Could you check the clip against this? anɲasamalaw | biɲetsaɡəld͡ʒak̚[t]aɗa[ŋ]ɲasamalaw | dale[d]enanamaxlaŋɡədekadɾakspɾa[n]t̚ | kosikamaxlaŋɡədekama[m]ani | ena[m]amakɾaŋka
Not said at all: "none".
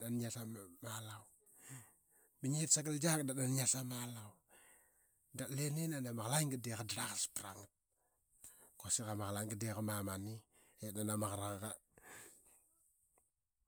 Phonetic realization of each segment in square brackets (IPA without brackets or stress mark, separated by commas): d, n, n, ŋ, m, n